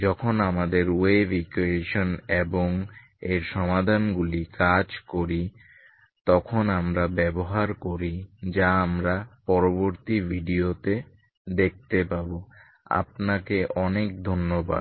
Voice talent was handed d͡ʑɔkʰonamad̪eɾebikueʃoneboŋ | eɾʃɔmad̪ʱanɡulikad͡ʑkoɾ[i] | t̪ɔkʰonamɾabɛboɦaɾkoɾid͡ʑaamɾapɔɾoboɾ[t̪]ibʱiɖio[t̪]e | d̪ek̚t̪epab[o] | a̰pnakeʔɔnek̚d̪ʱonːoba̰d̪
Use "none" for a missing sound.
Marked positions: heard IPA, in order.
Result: i, t̪, t̪, o

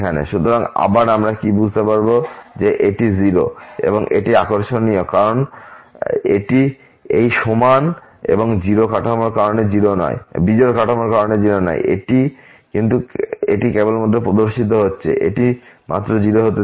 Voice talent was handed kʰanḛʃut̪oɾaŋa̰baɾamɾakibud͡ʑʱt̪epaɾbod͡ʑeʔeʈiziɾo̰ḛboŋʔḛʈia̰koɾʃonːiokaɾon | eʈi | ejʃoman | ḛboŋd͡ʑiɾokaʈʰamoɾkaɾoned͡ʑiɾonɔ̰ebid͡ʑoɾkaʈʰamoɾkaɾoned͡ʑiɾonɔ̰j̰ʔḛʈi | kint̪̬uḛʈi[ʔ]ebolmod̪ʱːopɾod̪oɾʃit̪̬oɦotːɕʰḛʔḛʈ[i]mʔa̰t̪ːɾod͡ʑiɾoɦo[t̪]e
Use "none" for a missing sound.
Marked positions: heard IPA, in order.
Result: k, i, t̪

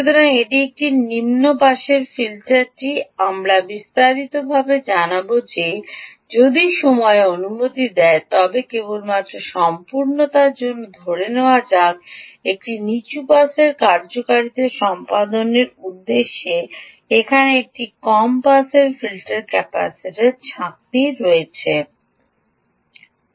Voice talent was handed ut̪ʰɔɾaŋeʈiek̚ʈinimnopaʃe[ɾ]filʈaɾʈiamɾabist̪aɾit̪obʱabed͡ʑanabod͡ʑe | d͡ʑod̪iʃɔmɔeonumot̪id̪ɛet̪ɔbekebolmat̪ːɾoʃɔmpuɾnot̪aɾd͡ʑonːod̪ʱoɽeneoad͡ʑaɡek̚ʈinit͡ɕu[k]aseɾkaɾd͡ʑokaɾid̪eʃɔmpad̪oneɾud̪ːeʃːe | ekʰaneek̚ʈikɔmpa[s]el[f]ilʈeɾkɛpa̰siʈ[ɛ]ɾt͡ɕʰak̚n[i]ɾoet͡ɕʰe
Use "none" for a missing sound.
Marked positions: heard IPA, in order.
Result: ɾ, p, s, f, e, i

